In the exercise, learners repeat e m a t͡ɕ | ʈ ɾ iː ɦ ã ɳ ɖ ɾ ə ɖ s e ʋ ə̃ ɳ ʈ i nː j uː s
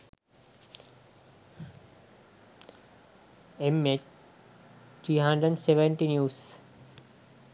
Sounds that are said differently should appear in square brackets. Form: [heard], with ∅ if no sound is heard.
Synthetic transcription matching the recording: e m [e] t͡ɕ | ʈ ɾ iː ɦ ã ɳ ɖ ɾ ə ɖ s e ʋ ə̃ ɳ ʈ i [n] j uː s